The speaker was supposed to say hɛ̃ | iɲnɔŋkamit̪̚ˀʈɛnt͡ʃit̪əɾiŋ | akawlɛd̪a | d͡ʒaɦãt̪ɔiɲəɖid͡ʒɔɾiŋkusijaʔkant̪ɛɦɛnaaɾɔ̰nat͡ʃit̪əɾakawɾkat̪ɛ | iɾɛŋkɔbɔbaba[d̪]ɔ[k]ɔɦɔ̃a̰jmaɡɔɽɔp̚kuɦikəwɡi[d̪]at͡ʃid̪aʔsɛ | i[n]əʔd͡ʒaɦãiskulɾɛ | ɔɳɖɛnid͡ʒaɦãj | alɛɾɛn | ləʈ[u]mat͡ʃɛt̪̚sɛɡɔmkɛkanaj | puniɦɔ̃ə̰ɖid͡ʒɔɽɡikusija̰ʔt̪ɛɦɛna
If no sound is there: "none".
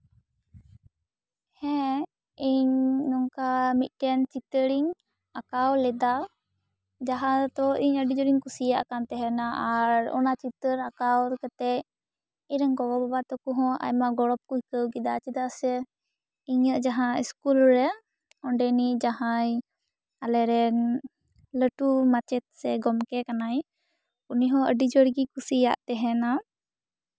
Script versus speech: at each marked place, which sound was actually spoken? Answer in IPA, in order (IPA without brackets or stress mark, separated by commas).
t̪, k, d̪, ɲ, u